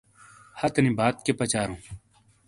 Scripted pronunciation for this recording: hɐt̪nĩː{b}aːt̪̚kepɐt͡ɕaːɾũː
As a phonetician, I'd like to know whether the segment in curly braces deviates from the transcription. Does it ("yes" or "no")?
no